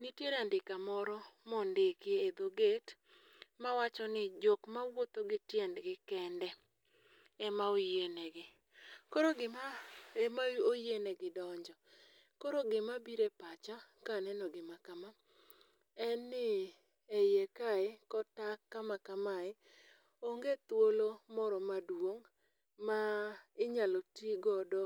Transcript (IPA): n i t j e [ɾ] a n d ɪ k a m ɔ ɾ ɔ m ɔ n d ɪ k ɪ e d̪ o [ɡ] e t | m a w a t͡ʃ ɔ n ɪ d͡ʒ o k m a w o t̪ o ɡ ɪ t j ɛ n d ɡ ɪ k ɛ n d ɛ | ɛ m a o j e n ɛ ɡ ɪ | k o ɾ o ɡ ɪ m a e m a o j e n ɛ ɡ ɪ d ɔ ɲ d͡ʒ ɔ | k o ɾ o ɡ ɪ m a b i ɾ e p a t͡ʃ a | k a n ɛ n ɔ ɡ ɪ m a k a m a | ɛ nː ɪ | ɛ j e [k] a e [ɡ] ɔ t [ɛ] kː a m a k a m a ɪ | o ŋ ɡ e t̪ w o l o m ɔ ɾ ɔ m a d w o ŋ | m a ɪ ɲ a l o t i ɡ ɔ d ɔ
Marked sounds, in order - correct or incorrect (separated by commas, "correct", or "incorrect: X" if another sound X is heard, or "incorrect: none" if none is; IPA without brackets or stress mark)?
correct, correct, correct, incorrect: k, incorrect: a